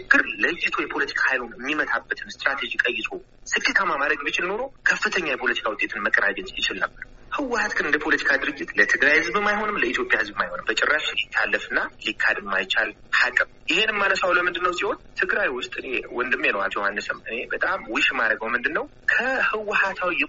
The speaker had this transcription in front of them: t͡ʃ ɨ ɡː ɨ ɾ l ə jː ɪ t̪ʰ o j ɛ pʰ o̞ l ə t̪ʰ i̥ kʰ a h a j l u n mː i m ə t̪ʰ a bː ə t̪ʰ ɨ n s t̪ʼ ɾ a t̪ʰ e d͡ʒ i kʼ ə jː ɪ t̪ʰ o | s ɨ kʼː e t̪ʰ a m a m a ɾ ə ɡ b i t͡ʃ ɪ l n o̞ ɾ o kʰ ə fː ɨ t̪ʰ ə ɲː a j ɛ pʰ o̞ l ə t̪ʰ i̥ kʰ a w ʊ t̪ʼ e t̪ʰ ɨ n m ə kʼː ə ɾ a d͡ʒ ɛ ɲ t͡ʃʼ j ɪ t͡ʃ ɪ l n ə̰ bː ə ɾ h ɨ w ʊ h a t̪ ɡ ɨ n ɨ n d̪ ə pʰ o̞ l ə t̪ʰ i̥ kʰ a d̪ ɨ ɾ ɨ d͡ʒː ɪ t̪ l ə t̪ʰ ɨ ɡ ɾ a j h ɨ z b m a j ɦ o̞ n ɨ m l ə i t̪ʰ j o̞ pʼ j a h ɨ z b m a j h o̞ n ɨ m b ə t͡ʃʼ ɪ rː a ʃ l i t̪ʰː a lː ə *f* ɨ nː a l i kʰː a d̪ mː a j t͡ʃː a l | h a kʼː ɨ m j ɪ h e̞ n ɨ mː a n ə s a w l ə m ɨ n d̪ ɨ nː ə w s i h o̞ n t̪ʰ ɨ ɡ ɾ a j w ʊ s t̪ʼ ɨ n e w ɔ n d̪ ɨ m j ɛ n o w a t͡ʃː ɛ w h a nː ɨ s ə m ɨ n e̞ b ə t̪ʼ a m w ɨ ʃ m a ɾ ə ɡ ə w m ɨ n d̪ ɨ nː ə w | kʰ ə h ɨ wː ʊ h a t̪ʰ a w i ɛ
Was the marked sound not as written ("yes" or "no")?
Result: no